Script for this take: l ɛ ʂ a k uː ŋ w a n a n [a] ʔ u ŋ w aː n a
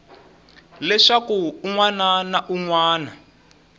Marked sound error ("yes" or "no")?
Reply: no